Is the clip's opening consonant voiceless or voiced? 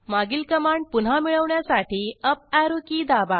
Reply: voiced